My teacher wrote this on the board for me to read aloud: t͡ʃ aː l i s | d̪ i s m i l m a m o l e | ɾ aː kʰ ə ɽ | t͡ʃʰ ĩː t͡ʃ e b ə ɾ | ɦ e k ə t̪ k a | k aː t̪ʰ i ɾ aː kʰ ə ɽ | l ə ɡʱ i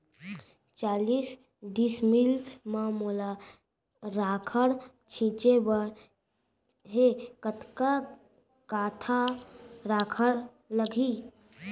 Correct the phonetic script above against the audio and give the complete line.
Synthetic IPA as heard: t͡ʃ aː l i s | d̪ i s m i l m a m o l a | ɾ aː kʰ ə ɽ | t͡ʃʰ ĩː t͡ʃ e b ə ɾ | ɦ e k ə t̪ k a | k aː t̪ʰ a ɾ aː kʰ ə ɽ | l ə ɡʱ i